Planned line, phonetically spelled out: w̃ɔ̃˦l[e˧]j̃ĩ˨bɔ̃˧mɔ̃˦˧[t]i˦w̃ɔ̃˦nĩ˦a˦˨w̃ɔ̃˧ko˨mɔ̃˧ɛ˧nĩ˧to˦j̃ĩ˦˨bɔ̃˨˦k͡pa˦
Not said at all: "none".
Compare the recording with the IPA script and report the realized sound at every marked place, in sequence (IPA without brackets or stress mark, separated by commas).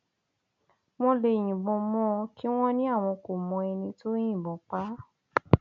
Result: e˧, k